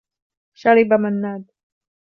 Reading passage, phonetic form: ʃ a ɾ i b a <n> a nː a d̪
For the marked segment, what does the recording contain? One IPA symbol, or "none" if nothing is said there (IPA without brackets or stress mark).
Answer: m